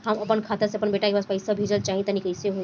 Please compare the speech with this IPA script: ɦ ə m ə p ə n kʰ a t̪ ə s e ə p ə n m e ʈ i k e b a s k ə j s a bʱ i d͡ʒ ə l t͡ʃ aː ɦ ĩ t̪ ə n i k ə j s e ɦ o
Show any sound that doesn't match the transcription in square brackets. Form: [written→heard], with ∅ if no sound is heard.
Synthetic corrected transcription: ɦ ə m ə p ə n kʰ a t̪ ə s e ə p ə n [m→b] e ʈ [i→a] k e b a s [k→p] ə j s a bʱ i d͡ʒ ə l t͡ʃ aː ɦ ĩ t̪ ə n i k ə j s e ɦ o